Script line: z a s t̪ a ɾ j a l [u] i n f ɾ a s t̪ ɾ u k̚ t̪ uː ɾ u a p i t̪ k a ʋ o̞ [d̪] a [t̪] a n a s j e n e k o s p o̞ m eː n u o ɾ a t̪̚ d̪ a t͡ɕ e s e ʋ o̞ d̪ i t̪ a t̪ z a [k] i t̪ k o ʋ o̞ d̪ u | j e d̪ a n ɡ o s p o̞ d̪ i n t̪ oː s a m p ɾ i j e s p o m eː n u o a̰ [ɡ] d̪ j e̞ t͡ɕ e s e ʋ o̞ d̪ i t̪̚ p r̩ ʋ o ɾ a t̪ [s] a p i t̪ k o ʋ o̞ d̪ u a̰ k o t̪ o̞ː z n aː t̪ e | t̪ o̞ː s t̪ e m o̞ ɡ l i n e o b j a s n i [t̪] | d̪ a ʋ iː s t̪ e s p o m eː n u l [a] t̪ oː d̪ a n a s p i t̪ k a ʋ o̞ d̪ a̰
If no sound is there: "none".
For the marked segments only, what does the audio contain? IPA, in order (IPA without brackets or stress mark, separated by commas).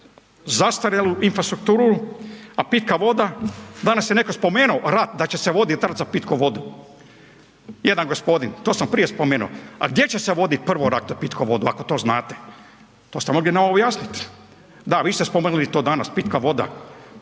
u, d̪, d̪, p, ɡ, z, t̪, i